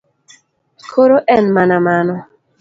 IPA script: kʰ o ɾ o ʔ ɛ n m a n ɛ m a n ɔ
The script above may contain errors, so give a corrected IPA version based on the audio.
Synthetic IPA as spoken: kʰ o ɾ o ʔ ɛ n m a n a m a n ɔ